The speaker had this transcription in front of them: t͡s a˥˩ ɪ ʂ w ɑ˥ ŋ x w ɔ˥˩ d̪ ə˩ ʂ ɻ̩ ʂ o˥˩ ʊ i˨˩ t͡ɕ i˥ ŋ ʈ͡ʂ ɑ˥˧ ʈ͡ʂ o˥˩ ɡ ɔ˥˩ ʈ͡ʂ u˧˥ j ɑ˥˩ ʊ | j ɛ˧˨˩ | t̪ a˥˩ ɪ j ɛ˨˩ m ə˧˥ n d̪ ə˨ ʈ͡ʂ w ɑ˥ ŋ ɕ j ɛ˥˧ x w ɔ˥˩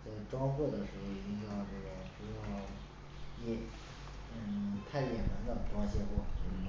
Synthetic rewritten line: t͡s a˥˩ ɪ ʈ͡ʂ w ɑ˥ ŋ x w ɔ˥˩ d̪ ə˩ ʂ ɻ̩ x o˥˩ ʊ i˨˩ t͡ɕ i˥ ŋ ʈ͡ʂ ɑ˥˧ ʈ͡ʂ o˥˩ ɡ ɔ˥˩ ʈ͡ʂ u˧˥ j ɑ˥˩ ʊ | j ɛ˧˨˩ | t̪ʰ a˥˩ ɪ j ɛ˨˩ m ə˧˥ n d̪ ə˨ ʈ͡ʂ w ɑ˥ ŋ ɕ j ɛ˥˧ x w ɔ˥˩